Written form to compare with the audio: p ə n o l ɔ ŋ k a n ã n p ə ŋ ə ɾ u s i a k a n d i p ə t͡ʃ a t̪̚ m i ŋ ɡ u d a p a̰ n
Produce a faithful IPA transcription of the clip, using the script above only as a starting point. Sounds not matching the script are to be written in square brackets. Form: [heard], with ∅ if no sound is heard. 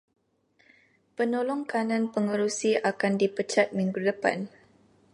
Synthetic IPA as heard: p ə n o l ɔ ŋ k a n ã n p ə ŋ ə ɾ u s i a k a n d i p ə t͡ʃ a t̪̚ m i ŋ ɡ u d [ə] p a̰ n